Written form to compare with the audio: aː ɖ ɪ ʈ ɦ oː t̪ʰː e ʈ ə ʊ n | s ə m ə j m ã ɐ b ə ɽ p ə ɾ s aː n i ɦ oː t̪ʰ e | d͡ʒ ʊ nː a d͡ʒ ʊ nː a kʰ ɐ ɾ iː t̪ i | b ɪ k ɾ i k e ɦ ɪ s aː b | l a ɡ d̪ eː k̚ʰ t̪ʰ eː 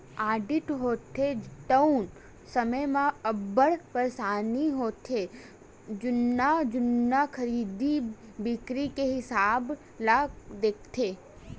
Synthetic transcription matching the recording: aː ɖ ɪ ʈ ɦ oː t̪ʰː e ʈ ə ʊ n | s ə m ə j m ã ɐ b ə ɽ p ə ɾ s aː n i ɦ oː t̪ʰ e | d͡ʒ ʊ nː a d͡ʒ ʊ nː a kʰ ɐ ɾ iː d̪ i | b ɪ k ɾ i k e ɦ ɪ s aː b | l a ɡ d̪ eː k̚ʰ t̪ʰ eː